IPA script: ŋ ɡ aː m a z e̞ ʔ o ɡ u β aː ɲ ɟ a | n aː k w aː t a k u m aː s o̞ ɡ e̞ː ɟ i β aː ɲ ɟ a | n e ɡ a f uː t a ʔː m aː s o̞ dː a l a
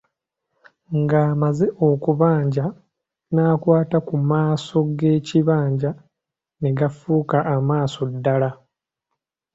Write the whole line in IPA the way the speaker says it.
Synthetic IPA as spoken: ŋ ɡ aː m a z e̞ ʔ o k u β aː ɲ ɟ a | n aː k w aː t a k u m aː s o̞ ɡ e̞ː c i β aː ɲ ɟ a | n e ɡ a f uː k a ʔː m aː s o̞ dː a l a